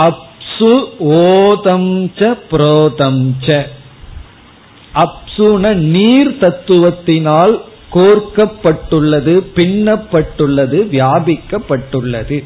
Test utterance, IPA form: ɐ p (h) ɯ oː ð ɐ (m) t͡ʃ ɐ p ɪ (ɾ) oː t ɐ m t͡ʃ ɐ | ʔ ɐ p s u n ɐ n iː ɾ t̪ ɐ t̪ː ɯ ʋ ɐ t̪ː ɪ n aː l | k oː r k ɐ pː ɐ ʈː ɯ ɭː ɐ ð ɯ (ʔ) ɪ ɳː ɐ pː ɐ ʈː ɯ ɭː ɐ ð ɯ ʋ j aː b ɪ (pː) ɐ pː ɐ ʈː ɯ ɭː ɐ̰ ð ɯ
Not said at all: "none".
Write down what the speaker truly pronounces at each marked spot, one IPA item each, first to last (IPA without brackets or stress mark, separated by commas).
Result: s, m, ɾ, p, kː